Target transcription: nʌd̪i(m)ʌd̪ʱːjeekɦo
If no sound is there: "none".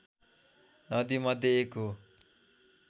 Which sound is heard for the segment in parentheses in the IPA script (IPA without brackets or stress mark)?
m